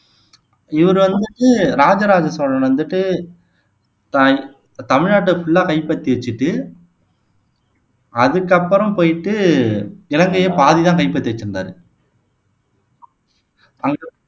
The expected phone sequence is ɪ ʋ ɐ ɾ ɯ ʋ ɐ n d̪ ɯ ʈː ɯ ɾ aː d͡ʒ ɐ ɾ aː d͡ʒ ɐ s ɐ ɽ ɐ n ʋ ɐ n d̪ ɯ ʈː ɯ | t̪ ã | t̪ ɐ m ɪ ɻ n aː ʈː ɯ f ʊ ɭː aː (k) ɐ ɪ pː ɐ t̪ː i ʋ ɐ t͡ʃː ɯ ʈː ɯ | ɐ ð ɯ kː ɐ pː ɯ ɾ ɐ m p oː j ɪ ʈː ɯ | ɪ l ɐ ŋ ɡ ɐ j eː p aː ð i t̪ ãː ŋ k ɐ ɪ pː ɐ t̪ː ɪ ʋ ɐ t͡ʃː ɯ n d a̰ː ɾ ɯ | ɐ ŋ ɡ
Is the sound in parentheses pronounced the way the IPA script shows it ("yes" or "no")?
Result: yes